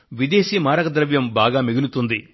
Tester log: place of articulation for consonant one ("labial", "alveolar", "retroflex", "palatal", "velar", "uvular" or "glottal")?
labial